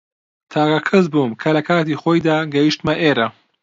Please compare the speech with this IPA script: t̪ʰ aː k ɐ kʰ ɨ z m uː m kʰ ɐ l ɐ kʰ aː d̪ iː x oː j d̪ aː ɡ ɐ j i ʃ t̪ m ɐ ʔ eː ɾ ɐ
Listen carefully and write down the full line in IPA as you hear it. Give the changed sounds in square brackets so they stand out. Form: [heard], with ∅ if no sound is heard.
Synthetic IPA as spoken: t̪ʰ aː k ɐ kʰ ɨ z [b] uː m kʰ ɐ l ɐ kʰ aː [t̪] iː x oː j d̪ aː ɡ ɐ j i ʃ t̪ m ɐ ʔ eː ɾ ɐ